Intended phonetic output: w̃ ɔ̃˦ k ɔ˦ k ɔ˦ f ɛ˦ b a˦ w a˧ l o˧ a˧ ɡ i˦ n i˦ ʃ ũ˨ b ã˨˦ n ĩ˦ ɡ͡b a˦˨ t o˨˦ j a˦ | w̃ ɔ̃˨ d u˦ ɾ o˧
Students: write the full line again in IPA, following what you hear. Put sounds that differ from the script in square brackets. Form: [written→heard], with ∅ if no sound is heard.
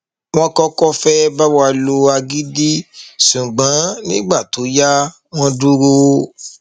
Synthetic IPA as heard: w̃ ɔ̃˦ k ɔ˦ k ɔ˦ f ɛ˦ b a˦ w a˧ l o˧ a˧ ɡ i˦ [n→d] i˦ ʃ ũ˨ [b→ɡ͡b] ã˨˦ n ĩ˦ ɡ͡b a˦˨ t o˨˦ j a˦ | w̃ [ɔ̃˨→ɔ̃˦] d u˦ ɾ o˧